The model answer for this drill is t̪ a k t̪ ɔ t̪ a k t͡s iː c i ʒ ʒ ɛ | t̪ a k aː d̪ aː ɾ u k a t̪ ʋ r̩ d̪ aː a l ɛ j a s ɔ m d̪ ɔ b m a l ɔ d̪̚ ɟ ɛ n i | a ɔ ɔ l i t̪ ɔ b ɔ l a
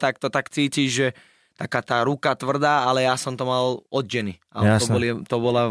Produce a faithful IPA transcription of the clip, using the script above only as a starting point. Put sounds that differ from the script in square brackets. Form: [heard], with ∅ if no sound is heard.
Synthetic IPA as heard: t̪ a k t̪ ɔ t̪ a k t͡s iː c i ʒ ʒ ɛ | t̪ a k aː [t̪] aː ɾ u k a t̪ ʋ r̩ d̪ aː a l ɛ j a s ɔ m [t̪] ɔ [∅] m a l ɔ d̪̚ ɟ ɛ n i | a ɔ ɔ l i t̪ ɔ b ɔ l a